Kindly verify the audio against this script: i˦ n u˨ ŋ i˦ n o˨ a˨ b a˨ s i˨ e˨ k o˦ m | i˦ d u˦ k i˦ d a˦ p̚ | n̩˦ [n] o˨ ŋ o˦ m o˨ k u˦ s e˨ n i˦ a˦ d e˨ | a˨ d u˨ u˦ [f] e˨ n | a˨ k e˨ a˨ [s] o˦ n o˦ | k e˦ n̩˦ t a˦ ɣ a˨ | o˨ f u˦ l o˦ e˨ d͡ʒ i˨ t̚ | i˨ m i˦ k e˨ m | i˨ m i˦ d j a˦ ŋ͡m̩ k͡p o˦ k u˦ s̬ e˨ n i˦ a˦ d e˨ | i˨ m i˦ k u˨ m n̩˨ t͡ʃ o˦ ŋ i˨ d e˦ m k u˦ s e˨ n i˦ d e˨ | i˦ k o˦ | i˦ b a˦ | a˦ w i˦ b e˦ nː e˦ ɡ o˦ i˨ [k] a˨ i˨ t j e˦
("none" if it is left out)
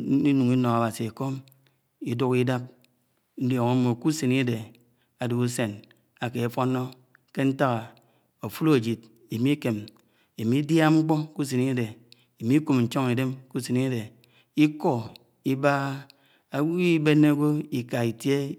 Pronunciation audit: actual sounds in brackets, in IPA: d, s, f, k

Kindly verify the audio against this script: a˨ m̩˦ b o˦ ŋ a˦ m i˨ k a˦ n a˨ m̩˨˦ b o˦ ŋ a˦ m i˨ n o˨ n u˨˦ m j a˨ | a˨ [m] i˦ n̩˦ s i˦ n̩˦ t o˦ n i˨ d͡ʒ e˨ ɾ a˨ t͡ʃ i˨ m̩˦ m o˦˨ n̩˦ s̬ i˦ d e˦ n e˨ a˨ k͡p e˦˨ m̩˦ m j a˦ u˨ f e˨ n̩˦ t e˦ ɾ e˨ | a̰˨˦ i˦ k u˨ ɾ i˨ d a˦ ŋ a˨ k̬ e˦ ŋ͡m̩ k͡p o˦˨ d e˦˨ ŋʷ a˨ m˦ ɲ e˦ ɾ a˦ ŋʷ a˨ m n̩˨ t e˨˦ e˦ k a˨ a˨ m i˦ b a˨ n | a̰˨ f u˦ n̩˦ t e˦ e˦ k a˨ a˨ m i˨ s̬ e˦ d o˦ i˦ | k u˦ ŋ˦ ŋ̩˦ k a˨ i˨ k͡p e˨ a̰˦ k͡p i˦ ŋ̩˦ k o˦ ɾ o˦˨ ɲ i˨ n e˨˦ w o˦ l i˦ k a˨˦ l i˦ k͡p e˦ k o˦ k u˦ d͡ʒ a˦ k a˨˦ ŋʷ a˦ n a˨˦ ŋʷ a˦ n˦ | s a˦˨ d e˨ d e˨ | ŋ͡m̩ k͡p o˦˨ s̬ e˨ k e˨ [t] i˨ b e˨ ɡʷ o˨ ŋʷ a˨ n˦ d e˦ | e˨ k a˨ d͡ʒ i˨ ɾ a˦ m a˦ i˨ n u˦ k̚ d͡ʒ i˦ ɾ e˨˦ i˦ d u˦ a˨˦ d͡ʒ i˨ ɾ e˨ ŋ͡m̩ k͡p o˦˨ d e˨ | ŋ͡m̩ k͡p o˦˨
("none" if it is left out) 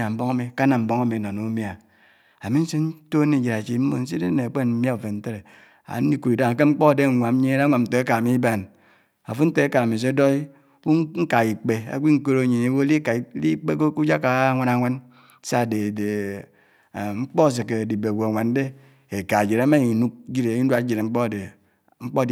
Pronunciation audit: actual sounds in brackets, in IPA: m, d

